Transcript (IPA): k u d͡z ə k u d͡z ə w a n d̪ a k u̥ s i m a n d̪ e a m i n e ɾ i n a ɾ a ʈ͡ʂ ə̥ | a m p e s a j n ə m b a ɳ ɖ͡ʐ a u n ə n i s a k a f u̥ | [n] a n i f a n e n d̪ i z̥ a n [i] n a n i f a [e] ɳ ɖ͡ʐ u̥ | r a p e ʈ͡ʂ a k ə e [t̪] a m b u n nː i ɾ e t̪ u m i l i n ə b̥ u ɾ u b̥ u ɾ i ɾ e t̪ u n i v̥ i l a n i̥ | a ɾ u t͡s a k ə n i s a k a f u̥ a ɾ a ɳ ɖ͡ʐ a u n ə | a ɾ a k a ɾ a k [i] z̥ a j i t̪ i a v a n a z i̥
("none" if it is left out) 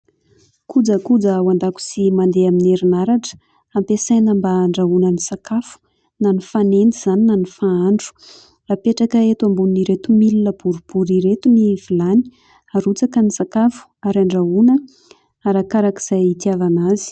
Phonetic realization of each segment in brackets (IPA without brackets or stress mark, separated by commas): n, i, a, t̪, i